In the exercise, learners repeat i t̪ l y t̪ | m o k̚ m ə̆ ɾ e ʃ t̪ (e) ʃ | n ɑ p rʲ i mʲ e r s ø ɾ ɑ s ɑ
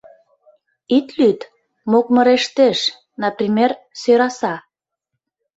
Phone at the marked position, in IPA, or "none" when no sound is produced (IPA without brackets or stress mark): e